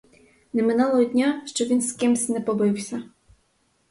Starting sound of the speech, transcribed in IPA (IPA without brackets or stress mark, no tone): n